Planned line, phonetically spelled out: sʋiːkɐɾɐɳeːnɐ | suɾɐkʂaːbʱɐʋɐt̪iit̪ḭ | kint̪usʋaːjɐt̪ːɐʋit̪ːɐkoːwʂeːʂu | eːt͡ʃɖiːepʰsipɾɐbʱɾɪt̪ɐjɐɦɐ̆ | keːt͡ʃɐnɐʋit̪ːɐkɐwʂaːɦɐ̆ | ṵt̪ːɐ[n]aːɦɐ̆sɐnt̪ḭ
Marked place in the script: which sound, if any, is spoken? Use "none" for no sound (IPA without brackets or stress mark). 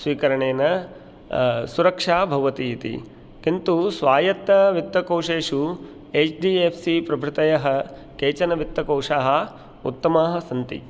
m